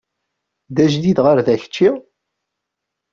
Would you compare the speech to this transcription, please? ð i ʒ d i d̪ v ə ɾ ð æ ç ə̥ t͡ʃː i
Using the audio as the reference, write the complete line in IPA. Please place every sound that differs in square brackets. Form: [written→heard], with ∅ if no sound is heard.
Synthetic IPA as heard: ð [i→æ] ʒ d i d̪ [v→ʁ] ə ɾ ð æ ç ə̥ t͡ʃː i